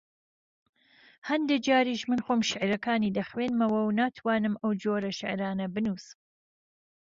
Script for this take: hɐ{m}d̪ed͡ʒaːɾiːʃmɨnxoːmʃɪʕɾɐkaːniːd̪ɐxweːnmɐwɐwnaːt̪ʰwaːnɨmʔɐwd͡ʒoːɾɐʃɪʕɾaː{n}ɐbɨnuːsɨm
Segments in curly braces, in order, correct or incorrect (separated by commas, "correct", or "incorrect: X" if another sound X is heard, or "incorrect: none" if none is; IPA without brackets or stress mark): incorrect: n, correct